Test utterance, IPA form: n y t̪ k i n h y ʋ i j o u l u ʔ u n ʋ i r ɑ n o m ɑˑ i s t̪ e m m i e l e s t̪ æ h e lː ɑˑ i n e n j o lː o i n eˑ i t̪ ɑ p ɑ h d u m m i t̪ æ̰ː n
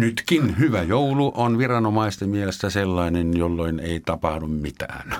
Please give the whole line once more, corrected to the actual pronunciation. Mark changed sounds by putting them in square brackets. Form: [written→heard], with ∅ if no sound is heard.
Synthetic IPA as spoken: n y t̪ k i n h y ʋ [i→æ] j o u l u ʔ [u→o] n ʋ i r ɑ n o m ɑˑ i s t̪ e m m i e l e s t̪ æ [h→s] e lː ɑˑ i n e n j o lː o i n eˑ i t̪ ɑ p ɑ h d u m m i t̪ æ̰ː n